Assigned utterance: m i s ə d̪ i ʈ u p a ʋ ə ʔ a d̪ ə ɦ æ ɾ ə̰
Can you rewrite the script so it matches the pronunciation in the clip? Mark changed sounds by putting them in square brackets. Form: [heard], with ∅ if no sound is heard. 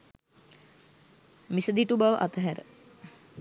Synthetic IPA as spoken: m i s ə d̪ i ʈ u [b] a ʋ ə ʔ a [t̪] ə ɦ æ ɾ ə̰